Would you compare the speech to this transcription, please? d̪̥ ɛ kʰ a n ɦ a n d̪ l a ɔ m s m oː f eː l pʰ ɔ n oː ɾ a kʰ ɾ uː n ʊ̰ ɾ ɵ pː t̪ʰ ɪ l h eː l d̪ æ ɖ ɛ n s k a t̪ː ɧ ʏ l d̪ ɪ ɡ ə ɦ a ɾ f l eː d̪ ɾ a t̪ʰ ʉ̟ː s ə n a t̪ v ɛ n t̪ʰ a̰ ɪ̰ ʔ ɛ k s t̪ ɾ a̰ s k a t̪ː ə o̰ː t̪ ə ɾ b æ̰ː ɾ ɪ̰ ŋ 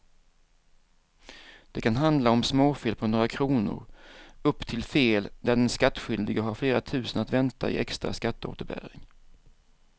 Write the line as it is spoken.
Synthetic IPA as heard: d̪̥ ɛ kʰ a n ɦ a n d̪ l a ɔ m s m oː f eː l pʰ ɔ n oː ɾ a kʰ ɾ uː n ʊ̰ ɾ ɵ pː t̪ʰ ɪ l f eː l d̪ æ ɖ ɛ n s k a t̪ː ɧ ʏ l d̪ ɪ ɡ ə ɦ a ɾ f l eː ɾ a t̪ʰ ʉ̟ː s ə n a t̪ v ɛ n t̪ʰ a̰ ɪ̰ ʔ ɛ k s t̪ ɾ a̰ s k a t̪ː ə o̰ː t̪ ə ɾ b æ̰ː ɾ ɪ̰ ŋ